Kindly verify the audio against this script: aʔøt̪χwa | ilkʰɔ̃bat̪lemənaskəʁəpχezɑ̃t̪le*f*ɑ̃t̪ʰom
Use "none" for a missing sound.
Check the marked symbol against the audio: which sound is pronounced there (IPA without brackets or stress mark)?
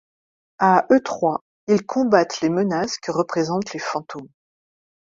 f